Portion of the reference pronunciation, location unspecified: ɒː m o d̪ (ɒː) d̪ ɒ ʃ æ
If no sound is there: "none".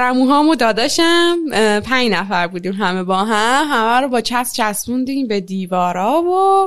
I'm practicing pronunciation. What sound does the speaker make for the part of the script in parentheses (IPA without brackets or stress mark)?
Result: ɒː